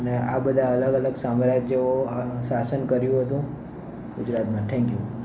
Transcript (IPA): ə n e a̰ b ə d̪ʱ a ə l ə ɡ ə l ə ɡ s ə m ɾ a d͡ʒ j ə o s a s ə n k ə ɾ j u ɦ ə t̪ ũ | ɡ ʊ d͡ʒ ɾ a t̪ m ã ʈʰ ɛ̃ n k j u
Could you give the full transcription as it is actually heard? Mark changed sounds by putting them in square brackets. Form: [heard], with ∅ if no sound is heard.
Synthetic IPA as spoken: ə n e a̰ b ə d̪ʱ a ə l ə ɡ ə l ə ɡ s [a] m ɾ a d͡ʒ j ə o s a s ə n k ə ɾ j [ũ] ɦ ə t̪ ũ | ɡ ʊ d͡ʒ ɾ a t̪ m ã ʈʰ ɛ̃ [ŋ] k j u